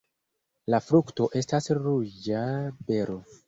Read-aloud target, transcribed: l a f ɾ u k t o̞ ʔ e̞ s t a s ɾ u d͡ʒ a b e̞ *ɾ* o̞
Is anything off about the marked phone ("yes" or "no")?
no